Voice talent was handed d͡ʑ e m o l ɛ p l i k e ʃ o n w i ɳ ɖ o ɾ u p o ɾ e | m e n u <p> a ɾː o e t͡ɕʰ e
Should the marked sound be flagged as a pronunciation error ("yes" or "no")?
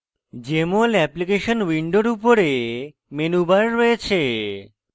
yes